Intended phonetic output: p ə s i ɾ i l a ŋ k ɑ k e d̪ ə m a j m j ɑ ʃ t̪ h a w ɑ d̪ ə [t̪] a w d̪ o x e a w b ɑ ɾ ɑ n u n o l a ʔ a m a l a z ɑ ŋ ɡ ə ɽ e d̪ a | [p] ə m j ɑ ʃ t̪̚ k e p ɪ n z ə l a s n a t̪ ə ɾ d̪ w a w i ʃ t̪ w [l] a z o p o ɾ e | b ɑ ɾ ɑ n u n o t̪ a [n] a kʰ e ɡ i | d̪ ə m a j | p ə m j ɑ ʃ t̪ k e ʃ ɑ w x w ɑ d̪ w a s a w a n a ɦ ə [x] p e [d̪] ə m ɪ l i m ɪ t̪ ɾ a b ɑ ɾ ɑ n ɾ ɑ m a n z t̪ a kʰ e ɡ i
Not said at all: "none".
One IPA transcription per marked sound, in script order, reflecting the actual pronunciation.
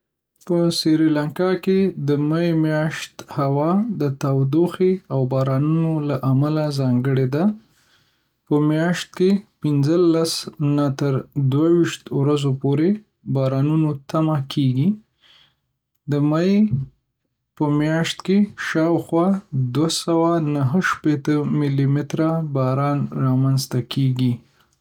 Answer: t̪, p, ɾ, m, ʃ, t̪

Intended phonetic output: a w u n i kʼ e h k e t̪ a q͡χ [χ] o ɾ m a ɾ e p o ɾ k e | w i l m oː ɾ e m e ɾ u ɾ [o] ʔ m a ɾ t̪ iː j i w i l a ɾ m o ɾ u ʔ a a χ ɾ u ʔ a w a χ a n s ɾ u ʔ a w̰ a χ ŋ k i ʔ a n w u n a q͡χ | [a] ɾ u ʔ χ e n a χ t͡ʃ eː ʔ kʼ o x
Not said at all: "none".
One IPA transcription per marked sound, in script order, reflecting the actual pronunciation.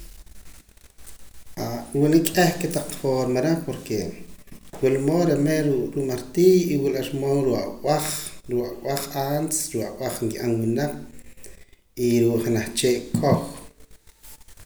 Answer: f, u, i

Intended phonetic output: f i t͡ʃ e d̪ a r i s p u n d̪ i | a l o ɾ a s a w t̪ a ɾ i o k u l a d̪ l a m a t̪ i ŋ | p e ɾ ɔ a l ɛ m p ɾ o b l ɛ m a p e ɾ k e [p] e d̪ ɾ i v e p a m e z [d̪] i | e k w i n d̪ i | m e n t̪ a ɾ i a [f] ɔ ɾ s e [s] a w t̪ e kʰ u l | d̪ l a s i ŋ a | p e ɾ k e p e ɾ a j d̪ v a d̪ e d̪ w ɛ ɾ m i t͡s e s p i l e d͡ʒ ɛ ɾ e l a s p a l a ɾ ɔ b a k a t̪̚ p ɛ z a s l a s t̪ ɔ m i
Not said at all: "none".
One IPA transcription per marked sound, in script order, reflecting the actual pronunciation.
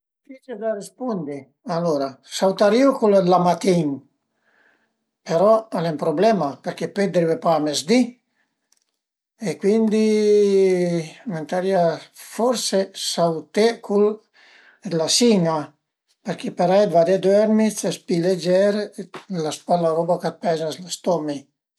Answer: p, d̪, f, s

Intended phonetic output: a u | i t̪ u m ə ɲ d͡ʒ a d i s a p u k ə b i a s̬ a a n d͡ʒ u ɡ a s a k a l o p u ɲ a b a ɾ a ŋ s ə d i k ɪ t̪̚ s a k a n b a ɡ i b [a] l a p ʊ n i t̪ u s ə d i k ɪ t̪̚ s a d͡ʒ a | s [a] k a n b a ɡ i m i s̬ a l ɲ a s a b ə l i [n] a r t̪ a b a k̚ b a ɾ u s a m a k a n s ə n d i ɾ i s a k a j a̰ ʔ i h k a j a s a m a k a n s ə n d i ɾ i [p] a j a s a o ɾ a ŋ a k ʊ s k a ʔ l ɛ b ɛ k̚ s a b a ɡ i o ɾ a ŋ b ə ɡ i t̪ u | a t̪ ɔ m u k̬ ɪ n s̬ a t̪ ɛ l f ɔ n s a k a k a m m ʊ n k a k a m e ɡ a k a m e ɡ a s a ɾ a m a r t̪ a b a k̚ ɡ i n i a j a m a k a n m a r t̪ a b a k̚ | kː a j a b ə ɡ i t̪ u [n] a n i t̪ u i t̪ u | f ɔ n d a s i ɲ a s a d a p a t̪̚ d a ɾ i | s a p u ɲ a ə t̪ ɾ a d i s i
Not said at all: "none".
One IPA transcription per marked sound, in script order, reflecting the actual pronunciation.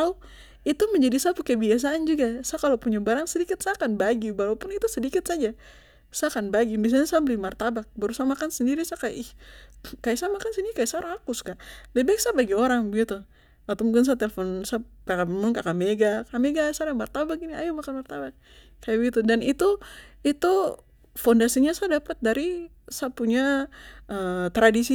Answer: a, a, m, k, d

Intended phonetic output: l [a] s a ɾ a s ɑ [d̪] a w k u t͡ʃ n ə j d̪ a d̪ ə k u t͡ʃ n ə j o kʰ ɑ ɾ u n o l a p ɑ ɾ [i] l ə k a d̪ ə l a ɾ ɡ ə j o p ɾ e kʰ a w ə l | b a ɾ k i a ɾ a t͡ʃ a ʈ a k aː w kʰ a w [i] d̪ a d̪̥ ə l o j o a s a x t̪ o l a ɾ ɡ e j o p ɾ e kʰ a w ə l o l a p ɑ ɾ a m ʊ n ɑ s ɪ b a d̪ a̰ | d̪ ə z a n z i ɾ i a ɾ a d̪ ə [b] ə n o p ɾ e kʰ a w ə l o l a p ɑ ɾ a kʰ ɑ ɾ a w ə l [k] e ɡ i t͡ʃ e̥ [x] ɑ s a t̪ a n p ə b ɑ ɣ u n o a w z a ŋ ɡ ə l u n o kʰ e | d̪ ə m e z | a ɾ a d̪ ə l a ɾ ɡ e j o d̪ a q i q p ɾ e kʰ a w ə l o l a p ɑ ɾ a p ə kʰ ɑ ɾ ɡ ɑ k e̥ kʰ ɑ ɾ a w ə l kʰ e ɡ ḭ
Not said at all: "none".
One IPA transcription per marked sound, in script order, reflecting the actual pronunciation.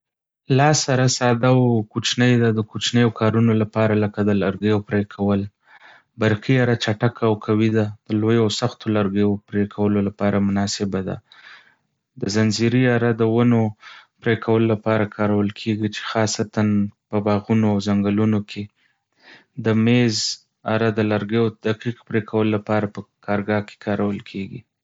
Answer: ɑ, d̪, a, i, w, kʰ, x

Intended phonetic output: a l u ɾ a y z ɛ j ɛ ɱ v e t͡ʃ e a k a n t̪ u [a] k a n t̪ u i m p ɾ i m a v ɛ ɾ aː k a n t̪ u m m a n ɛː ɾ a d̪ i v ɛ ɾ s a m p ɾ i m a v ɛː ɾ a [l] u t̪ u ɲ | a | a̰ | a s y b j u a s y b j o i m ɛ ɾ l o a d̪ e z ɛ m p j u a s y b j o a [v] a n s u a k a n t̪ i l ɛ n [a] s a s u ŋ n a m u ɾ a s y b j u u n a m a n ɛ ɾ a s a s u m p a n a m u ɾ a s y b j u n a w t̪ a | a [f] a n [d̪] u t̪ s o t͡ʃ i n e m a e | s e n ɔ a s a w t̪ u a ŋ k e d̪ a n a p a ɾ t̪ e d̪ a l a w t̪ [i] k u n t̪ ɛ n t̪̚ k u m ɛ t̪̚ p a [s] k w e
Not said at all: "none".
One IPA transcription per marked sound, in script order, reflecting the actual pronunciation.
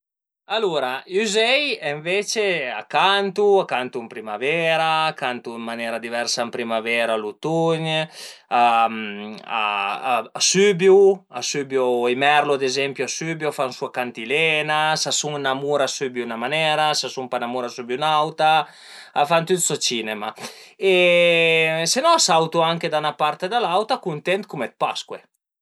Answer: a, l, f, a, f, t̪, a, s

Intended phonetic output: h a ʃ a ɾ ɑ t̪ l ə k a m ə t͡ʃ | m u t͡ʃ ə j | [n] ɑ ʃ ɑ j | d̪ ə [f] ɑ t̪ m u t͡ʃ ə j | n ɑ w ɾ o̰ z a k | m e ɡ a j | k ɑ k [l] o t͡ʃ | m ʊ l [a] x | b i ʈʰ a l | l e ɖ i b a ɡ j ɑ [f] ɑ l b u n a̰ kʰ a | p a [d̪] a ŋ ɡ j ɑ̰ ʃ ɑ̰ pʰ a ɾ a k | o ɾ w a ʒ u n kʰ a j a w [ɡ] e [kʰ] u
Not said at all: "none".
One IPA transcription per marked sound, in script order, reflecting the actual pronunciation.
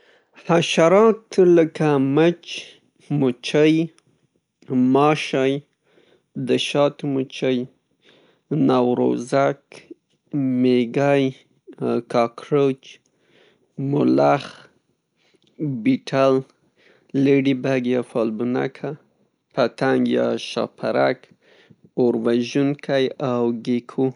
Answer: m, ʃ, ɾ, a, f, t̪, ɡ, kʰ

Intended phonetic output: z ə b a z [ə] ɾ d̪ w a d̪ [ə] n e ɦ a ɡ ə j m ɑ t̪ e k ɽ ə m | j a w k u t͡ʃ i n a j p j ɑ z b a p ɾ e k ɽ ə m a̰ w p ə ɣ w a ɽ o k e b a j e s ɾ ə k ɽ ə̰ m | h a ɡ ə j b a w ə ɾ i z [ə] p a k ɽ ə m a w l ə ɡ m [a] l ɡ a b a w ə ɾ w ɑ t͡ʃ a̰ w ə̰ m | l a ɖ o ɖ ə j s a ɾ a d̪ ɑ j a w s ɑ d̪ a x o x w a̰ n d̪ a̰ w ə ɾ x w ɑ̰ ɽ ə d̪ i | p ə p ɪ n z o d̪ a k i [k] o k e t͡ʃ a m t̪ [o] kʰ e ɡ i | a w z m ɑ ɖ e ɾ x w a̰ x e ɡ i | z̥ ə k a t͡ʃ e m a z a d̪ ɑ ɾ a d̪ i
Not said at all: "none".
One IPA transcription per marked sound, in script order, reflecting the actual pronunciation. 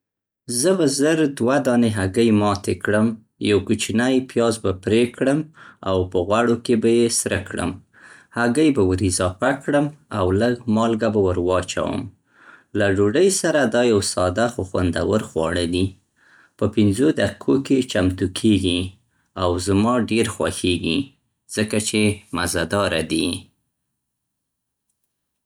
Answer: ə, ɑ, ɑ, ɑ, kʰ, u

